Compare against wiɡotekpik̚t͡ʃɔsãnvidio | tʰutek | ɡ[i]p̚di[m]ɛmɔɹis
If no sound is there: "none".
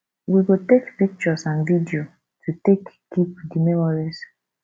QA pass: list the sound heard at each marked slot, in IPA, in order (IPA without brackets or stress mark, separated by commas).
i, m